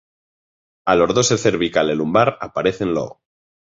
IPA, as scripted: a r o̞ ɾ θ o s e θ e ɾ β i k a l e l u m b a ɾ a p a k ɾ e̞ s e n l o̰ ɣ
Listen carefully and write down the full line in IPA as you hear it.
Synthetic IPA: a l o̞ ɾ ð o s e θ e ɾ β i k a l e l u m b a ɾ a p a ɾ e̞ θ e n l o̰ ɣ